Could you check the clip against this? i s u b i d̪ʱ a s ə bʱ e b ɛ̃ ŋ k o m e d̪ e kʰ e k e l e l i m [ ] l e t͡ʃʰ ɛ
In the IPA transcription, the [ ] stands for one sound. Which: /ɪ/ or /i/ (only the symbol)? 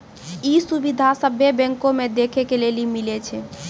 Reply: i